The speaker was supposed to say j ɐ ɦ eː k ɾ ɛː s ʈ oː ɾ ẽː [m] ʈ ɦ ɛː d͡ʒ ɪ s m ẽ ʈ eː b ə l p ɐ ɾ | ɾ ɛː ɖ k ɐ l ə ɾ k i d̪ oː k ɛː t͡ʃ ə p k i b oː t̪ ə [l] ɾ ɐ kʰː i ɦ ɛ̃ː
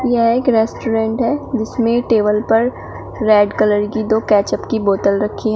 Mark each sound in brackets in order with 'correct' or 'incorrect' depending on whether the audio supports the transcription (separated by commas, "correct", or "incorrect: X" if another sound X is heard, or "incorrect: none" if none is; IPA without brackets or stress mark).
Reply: incorrect: ɳ, correct